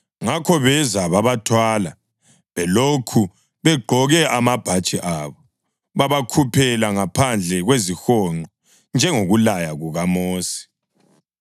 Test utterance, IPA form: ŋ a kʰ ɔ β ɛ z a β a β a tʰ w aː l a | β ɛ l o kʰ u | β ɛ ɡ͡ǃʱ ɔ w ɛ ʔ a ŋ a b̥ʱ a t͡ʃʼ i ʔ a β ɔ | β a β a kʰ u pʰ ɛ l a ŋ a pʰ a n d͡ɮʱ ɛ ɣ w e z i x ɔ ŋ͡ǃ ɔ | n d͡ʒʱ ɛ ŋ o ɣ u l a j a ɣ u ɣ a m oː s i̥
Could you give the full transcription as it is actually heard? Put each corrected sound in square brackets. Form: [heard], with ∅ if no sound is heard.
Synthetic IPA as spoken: ŋ a kʰ ɔ β ɛ z a β a β a tʰ w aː l a | β ɛ l o kʰ u | β ɛ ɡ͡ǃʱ ɔ [ɣ] ɛ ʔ a [m] a b̥ʱ a t͡ʃʼ i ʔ a β ɔ | β a β a kʰ u pʰ ɛ l a ŋ a pʰ a n d͡ɮʱ ɛ ɣ w e z i x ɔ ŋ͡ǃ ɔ | n d͡ʒʱ ɛ ŋ o ɣ u l a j a ɣ u ɣ a m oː s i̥

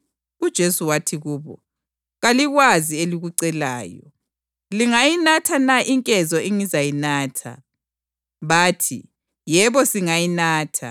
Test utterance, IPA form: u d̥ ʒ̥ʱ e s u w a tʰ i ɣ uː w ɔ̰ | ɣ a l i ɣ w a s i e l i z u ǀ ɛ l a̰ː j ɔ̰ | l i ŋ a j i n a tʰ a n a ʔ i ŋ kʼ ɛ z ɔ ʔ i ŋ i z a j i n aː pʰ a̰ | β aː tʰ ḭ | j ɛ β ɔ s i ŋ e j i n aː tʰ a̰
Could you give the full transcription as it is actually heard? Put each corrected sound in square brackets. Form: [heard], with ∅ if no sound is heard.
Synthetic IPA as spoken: u d̥ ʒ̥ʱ e s u w a tʰ i ɣ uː [β] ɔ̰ | ɣ a l i ɣ w a [z] i e l i [ɣ] u ǀ ɛ l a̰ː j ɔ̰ | l i ŋ a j i n a tʰ a n a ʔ i ŋ kʼ ɛ z ɔ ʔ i ŋ i z a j i n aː [tʰ] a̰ | β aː tʰ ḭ | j ɛ β ɔ s i ŋ [a] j i n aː tʰ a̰

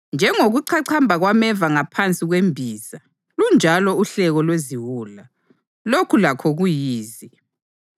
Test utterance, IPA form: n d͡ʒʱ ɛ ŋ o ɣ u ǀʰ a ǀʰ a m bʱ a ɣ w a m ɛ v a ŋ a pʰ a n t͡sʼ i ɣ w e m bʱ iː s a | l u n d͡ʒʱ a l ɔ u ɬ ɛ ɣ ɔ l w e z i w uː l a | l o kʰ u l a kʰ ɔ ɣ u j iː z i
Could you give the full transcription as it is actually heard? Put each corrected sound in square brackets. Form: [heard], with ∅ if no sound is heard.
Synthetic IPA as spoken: n d͡ʒʱ ɛ ŋ o ɣ u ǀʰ a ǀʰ a m bʱ a ɣ w a m ɛ v a ŋ a pʰ a n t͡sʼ i ɣ w e m bʱ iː [z] a | l u n d͡ʒʱ a l ɔ u ɬ ɛ ɣ ɔ l w e z i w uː l a | l o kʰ u l a kʰ ɔ ɣ u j iː z i

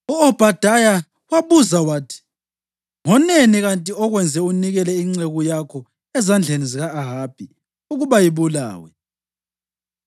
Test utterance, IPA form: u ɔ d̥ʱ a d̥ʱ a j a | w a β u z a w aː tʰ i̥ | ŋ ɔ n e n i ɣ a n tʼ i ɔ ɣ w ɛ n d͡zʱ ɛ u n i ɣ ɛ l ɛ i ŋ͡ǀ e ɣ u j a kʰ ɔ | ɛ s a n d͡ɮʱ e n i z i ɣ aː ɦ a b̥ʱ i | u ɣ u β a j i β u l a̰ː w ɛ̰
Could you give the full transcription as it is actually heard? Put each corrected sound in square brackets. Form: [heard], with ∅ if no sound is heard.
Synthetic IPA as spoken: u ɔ [b̥ʱ] a d̥ʱ a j a | w a β u z a w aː tʰ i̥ | ŋ ɔ n e n i ɣ a n tʼ i ɔ ɣ w ɛ n d͡zʱ ɛ u n i ɣ ɛ l ɛ i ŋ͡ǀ e ɣ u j a kʰ ɔ | ɛ [z] a n d͡ɮʱ e n i z i ɣ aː ɦ a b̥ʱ i | u ɣ u β a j i β u l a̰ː w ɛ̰

